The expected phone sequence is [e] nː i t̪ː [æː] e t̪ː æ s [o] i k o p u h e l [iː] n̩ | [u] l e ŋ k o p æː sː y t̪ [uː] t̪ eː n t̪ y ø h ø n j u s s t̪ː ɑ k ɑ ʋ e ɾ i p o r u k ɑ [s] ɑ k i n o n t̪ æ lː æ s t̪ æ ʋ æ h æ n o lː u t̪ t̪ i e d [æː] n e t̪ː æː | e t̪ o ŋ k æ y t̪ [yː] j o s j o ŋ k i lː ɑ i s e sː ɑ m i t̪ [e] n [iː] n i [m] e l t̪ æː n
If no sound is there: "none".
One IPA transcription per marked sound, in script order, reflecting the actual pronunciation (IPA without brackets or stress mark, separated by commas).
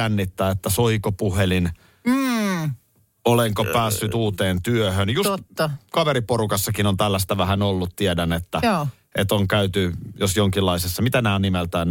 æ, æː, o, i, o, uː, sː, æ, y, æ, æː, m